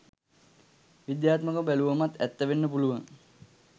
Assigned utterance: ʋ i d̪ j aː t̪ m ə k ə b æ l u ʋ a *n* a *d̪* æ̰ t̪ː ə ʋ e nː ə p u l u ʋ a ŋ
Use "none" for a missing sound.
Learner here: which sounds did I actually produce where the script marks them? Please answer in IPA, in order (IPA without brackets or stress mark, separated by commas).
m, t̪